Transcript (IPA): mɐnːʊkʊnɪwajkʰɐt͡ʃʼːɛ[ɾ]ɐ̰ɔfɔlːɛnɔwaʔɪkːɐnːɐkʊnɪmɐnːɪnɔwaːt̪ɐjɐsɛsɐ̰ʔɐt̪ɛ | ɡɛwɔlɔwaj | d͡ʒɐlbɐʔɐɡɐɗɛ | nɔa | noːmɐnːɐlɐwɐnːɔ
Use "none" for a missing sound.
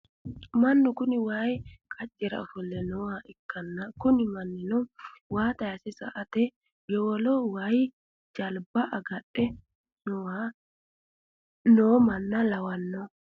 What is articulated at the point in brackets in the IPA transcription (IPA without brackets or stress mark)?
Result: ɾ